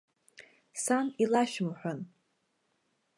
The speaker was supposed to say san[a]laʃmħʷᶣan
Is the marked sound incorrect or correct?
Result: incorrect